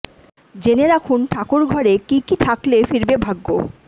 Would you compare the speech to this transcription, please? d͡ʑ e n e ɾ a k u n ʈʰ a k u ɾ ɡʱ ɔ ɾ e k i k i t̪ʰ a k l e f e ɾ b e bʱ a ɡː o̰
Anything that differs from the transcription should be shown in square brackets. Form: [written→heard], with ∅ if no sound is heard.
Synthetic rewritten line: d͡ʑ e n e ɾ a [k→kʰ] u n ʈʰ a k u ɾ ɡʱ ɔ ɾ e k i k i t̪ʰ a k l e f [e→i] ɾ b e bʱ a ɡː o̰

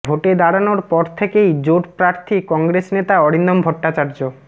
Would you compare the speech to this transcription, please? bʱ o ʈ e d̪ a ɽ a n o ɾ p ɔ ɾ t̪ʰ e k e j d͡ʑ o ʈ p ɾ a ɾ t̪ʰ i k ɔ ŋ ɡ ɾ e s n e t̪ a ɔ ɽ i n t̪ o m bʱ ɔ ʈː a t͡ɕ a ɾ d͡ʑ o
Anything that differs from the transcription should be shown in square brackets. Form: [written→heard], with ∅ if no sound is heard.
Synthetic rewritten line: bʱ o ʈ e d̪ a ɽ a n o ɾ p ɔ ɾ t̪ʰ e k e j d͡ʑ o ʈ p ɾ a ɾ t̪ʰ i k ɔ ŋ ɡ ɾ e s n e t̪ a ɔ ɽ i n [t̪→d̪] o m bʱ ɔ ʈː a t͡ɕ a ɾ d͡ʑ o

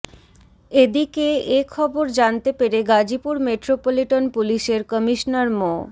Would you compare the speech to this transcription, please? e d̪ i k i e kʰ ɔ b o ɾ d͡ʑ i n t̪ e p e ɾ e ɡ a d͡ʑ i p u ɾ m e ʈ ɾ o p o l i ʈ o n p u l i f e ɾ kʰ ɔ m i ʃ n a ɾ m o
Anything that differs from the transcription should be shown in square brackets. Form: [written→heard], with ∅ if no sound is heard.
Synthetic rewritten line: e d̪ i k [i→e] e kʰ ɔ b o ɾ d͡ʑ [i→a] n t̪ e p e ɾ e ɡ a d͡ʑ i p u ɾ m e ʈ ɾ o p o l i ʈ o n p u l i [f→ʃ] e ɾ [kʰ→k] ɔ m i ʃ n a ɾ m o

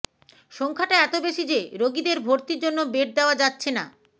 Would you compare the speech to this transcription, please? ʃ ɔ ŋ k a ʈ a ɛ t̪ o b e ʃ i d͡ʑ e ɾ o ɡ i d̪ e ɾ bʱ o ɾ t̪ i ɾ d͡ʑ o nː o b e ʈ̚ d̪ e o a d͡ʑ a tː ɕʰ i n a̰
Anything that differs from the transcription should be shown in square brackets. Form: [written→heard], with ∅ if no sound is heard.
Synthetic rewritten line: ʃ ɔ ŋ [k→kʰ] a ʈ a ɛ t̪ o b e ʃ i d͡ʑ e ɾ o ɡ i d̪ e ɾ bʱ o ɾ t̪ i ɾ d͡ʑ o nː o b e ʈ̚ d̪ e o a d͡ʑ a tː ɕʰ [i→e] n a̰

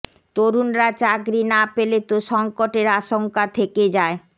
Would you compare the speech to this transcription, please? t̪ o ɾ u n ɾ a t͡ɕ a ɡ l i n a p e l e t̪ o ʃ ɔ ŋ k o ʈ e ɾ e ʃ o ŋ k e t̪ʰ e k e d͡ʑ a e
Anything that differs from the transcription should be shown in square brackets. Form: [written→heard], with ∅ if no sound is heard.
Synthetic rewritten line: t̪ o ɾ u n ɾ a t͡ɕ a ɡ [l→ɾ] i n a p e l e t̪ o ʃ ɔ ŋ k o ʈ e ɾ [e→a] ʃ o ŋ k [e→a] t̪ʰ e k e d͡ʑ a e

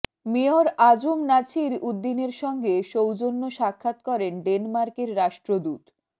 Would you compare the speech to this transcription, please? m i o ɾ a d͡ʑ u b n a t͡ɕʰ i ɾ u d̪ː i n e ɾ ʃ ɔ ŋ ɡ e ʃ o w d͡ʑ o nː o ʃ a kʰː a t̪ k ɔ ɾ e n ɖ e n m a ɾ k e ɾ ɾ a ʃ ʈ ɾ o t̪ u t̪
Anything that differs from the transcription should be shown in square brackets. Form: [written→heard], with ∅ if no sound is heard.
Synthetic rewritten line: m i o ɾ a d͡ʑ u [b→m] n a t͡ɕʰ i ɾ u d̪ː i n e ɾ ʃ ɔ ŋ ɡ e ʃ o w d͡ʑ o nː o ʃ a kʰː a t̪ k ɔ ɾ e n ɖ e n m a ɾ k e ɾ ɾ a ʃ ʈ ɾ o [t̪→d̪] u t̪

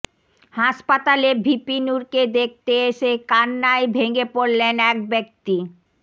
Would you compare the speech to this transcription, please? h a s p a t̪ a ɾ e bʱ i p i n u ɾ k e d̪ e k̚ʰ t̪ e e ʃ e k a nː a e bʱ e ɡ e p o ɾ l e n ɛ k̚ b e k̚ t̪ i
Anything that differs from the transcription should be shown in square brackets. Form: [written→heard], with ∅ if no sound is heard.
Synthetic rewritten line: h a [s→ʃ] p a t̪ a [ɾ→l] e bʱ i p i n u ɾ k e d̪ e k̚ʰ t̪ e e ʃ e k a nː a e bʱ e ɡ e p o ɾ l e n ɛ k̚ b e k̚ t̪ i

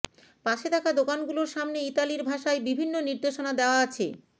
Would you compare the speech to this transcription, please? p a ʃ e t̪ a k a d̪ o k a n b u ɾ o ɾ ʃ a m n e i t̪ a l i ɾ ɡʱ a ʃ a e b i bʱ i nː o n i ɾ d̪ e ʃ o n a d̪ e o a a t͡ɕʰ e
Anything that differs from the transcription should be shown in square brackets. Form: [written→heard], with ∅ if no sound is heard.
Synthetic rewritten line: p a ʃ e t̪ a k a d̪ o k a n [b→ɡ] u [ɾ→l] o ɾ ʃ a m n e i t̪ a l i ɾ [ɡʱ→bʱ] a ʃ a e b i bʱ i nː o n i ɾ d̪ e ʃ o n a d̪ e o a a t͡ɕʰ e

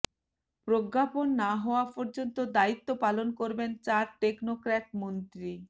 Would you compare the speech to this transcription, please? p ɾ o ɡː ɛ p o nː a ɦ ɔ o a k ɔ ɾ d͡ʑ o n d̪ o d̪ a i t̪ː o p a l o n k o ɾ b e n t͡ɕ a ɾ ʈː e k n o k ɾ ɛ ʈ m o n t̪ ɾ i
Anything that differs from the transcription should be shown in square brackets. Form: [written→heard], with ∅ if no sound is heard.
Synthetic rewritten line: p ɾ o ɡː [ɛ→a] p o nː a ɦ ɔ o a [k→p] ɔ ɾ d͡ʑ o n [d̪→t̪] o d̪ a i t̪ː o p a l o n k o ɾ b e n t͡ɕ a ɾ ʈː e k n o k ɾ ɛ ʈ m o n t̪ ɾ i

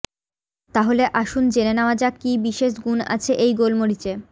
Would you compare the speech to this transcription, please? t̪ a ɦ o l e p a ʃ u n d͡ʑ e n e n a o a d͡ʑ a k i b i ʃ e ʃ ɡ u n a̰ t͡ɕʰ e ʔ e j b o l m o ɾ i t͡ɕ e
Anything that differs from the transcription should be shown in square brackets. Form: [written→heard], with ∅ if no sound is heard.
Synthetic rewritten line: t̪ a ɦ o l e [p→ʔ] a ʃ u n d͡ʑ e n e n a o a d͡ʑ a k i b i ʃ e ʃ ɡ u n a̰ t͡ɕʰ e ʔ e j [b→ɡ] o l m o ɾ i t͡ɕ e

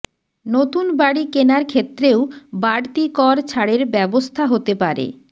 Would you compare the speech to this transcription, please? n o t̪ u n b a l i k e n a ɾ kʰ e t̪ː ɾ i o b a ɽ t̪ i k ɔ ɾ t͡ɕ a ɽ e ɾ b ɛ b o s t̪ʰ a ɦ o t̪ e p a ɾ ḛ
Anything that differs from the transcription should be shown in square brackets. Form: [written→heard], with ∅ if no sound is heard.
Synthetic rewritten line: n o t̪ u n b a [l→ɽ] i k e n a ɾ kʰ e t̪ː ɾ [i→e] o b a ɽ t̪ i k ɔ ɾ [t͡ɕ→t͡ɕʰ] a ɽ e ɾ b ɛ b o s t̪ʰ a ɦ o t̪ e p a ɾ ḛ

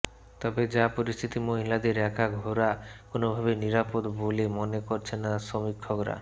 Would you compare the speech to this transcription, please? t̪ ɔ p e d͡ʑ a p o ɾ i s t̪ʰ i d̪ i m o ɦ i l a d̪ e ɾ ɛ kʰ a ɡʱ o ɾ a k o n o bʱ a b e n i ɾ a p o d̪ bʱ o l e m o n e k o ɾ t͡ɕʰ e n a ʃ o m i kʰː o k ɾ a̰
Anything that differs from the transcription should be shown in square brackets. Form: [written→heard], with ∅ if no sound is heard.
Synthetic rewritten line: t̪ ɔ [p→b] e d͡ʑ a p o ɾ i s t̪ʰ i [d̪→t̪] i m o ɦ i l a d̪ e ɾ ɛ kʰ a ɡʱ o ɾ a k o n o bʱ a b e n i ɾ a p o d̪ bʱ o l e m o n e k o ɾ t͡ɕʰ e n a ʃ o m i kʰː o k ɾ a̰

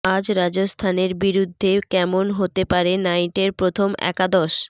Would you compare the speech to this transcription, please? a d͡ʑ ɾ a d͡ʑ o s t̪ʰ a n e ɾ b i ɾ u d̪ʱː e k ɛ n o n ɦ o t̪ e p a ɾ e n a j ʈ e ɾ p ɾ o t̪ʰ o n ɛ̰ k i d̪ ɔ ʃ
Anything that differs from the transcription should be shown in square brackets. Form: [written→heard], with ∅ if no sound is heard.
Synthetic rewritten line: a d͡ʑ ɾ a d͡ʑ o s t̪ʰ a n e ɾ b i ɾ u d̪ʱː e k ɛ [n→m] o n ɦ o t̪ e p a ɾ e n a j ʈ e ɾ p ɾ o t̪ʰ o [n→m] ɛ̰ k [i→a] d̪ ɔ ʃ

